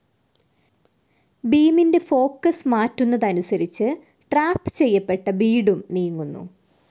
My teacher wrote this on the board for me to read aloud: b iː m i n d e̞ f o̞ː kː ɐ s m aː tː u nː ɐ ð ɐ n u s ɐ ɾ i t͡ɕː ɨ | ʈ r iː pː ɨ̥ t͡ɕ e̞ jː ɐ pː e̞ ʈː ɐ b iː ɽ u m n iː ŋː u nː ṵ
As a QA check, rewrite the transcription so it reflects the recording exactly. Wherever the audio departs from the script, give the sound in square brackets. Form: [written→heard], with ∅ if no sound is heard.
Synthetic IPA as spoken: b iː m i n d e̞ f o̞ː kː ɐ s m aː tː u nː ɐ ð ɐ n u s ɐ ɾ i t͡ɕː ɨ | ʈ r [iː→aː] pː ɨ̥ t͡ɕ e̞ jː ɐ pː e̞ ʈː ɐ b iː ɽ u m n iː ŋː u nː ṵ

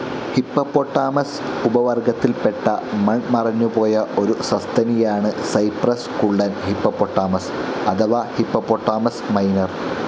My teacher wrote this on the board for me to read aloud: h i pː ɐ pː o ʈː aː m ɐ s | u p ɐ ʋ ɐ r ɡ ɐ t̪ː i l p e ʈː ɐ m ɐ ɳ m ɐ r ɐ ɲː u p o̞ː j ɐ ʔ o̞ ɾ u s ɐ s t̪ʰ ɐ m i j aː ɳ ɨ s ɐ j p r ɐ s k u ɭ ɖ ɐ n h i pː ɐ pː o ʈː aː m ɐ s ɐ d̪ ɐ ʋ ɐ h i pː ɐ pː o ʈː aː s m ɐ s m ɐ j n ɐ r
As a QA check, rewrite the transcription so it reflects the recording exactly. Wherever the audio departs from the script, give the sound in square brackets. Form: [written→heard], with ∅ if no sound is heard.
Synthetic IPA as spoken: h i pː ɐ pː o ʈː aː m ɐ s | u [p→b] ɐ ʋ ɐ r ɡ ɐ t̪ː i l p e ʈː ɐ m ɐ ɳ m ɐ r ɐ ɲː u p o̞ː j ɐ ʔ o̞ ɾ u s ɐ s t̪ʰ ɐ [m→n] i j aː ɳ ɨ s ɐ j p r ɐ s k u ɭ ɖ ɐ n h i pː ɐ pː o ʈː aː m ɐ s ɐ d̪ ɐ ʋ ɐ h i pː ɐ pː o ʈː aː [s→∅] m ɐ s m ɐ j n ɐ r

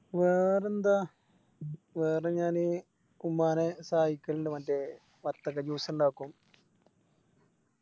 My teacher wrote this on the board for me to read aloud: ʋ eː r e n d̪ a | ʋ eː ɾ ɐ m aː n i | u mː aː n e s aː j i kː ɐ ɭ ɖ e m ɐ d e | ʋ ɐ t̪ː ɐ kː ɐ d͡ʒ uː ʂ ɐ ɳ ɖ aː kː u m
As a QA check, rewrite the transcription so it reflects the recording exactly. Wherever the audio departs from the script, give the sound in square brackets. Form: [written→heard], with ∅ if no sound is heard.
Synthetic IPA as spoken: ʋ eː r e n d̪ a | ʋ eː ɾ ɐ [m→ɲ] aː n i | u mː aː n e s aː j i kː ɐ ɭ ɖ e m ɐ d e | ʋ ɐ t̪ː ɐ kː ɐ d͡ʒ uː [ʂ→s] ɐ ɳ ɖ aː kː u m

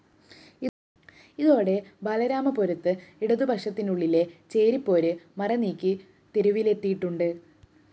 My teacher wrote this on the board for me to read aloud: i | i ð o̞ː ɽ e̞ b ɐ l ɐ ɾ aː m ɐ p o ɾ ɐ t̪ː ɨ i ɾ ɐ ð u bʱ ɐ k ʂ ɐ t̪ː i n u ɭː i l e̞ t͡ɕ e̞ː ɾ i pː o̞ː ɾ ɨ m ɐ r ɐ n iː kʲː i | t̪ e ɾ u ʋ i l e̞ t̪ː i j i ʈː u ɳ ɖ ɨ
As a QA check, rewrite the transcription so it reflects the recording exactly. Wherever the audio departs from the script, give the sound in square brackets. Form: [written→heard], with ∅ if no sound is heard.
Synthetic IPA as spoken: i | i ð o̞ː ɽ e̞ b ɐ l ɐ ɾ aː m ɐ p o ɾ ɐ t̪ː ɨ i [ɾ→ɽ] ɐ ð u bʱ ɐ k ʂ ɐ t̪ː i n u ɭː i l e̞ t͡ɕ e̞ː ɾ i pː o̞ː ɾ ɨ m ɐ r ɐ n iː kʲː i | t̪ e ɾ u ʋ i l e̞ t̪ː i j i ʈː u ɳ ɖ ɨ

